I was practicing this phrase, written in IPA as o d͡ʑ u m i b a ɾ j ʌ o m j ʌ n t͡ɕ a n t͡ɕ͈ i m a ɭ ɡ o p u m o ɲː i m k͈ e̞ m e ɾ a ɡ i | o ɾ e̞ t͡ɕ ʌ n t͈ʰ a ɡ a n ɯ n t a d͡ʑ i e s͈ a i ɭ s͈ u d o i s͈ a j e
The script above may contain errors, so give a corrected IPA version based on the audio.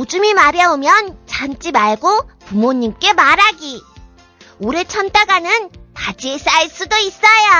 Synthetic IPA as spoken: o d͡ʑ u m i m a ɾ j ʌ o m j ʌ n t͡ɕ a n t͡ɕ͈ i m a ɭ ɡ o p u m o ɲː i m k͈ e̞ m a ɾ a ɡ i | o ɾ e̞ t͡ɕʰ ʌ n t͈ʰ a ɡ a n ɯ n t a d͡ʑ i e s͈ a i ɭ s͈ u d o i s͈ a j a

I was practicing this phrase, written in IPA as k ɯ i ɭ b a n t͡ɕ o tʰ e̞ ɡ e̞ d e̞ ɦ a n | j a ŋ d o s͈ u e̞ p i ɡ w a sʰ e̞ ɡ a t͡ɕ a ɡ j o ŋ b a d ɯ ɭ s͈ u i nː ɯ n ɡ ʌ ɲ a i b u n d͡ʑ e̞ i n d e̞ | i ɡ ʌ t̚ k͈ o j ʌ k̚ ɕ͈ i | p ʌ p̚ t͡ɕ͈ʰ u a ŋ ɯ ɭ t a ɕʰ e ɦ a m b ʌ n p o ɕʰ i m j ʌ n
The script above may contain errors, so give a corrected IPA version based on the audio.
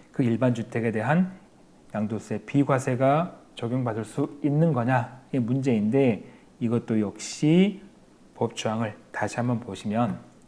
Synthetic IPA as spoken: k ɯ i ɭ b a n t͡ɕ u tʰ e̞ ɡ e̞ d e̞ ɦ a n | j a ŋ d o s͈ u e̞ p i ɡ w a sʰ e̞ ɡ a t͡ɕ ʌ ɡ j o ŋ b a d ɯ ɭ s͈ u i nː ɯ n ɡ ʌ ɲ a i m u n d͡ʑ e̞ i n d e̞ | i ɡ ʌ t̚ t͈ o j ʌ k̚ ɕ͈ i | p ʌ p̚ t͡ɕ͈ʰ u a ŋ ɯ ɭ t a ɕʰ i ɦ a m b ʌ n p o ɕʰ i m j ʌ n

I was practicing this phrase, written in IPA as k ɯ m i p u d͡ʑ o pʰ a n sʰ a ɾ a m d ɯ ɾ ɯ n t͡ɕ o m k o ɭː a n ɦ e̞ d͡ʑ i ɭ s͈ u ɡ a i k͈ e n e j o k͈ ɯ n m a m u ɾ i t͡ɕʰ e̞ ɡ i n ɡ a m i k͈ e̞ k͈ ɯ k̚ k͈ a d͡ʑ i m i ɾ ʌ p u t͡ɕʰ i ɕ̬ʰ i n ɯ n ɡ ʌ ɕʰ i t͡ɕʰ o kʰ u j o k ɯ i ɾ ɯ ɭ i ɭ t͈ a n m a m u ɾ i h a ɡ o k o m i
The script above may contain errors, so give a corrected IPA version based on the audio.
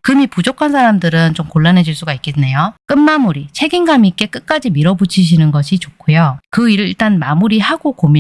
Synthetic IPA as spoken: k ɯ m i p u d͡ʑ o kʰ a n sʰ a ɾ a m d ɯ ɾ ɯ n t͡ɕ o m k o ɭː a n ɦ e̞ d͡ʑ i ɭ s͈ u ɡ a i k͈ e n e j o k͈ ɯ n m a m u ɾ i t͡ɕʰ e̞ ɡ i n ɡ a m i k͈ e̞ k͈ ɯ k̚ k͈ a d͡ʑ i m i ɾ ʌ b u t͡ɕʰ i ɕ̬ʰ i n ɯ n ɡ ʌ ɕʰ i t͡ɕ o kʰ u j o k ɯ i ɾ ɯ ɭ i ɭ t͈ a n m a m u ɾ i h a ɡ o k o m i

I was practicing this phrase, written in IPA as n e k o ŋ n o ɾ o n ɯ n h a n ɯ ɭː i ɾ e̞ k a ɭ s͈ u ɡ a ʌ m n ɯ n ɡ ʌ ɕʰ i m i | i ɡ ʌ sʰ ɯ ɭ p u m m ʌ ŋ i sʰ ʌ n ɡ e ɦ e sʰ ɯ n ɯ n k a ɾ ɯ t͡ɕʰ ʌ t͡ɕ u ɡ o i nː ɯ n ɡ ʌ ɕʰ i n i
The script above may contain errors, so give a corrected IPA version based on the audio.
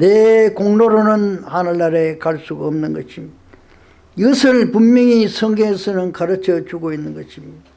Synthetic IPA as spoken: n e k o ŋ n o ɾ o n ɯ n h a n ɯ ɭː a ɾ e̞ k a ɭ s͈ u ɡ a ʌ m n ɯ n ɡ ʌ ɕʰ i m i | i ɡ ʌ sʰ ɯ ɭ p u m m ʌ ŋ i sʰ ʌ ŋ ɡ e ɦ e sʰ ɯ n ɯ n k a ɾ ɯ t͡ɕʰ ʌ t͡ɕ u ɡ o i nː ɯ n ɡ ʌ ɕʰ i m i

